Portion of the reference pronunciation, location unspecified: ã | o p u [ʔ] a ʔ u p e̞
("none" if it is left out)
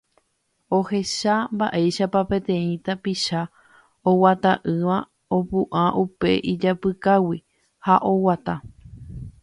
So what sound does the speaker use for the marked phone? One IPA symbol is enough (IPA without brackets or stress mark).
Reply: ʔ